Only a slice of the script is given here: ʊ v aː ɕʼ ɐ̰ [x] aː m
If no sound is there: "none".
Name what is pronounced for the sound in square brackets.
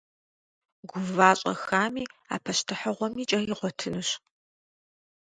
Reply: x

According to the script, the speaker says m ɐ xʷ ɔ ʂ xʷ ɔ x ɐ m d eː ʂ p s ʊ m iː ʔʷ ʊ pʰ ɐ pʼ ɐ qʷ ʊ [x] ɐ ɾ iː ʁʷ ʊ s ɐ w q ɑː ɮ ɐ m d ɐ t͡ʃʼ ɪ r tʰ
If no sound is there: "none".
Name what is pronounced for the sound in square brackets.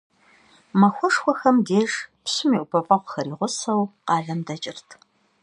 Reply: x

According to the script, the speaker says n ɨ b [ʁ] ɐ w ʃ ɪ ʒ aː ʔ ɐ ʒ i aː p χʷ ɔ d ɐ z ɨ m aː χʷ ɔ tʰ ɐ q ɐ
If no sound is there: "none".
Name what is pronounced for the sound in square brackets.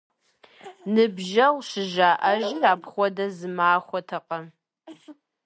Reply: ʒ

